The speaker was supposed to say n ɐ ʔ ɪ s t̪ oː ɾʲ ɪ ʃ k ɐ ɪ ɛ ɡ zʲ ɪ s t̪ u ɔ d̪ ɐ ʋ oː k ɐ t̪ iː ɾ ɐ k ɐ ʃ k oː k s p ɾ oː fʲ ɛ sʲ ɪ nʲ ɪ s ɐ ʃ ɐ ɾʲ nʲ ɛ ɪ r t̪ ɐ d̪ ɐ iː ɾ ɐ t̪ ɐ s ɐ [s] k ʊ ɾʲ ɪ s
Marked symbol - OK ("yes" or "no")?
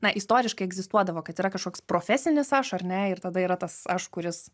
no